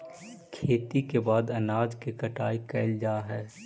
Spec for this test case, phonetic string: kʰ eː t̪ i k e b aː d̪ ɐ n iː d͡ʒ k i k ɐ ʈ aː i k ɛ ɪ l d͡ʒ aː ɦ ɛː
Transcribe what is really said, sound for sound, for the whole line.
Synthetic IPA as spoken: kʰ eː t̪ i k e b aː d̪ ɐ n aː d͡ʒ k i k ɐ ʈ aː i k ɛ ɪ l d͡ʒ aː ɦ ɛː